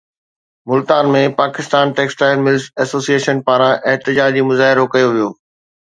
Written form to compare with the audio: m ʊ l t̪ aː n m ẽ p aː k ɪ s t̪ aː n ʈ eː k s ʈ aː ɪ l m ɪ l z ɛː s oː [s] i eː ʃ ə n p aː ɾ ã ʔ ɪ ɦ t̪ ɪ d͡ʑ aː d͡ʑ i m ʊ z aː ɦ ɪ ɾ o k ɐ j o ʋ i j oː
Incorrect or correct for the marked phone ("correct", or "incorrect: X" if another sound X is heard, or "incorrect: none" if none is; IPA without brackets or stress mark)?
correct